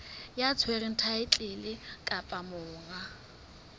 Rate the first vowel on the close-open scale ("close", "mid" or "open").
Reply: open